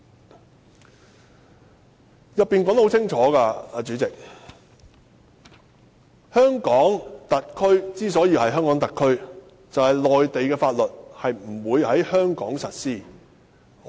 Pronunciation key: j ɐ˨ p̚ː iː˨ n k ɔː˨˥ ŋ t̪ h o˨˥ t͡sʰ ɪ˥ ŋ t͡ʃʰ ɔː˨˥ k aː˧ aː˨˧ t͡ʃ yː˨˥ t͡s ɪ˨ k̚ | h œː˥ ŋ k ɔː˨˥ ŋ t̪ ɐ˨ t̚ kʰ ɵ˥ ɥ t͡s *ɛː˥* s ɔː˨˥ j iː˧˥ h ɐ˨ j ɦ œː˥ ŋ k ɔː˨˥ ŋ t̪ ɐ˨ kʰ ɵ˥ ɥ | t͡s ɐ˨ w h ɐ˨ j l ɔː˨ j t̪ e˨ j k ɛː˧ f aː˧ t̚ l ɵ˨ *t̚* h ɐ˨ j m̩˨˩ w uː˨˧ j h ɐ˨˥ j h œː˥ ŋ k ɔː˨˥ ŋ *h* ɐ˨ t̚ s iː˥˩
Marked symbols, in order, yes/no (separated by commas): no, yes, no